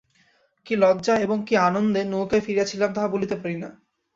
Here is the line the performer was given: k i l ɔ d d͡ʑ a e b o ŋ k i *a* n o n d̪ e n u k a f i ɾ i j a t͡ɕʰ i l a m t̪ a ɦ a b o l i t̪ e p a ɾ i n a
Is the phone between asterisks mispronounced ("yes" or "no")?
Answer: no